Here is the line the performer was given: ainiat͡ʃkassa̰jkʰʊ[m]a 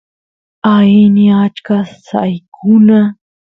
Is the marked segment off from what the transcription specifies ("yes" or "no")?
yes